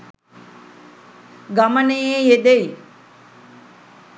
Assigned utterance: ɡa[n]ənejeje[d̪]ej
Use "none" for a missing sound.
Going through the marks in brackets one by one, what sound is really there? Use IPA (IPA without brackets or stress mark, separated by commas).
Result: m, d̪